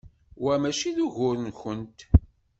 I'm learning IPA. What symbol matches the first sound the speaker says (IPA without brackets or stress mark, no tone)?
w